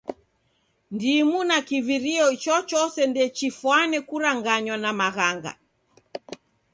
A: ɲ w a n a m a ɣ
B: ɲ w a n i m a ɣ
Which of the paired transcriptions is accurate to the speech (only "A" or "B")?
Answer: A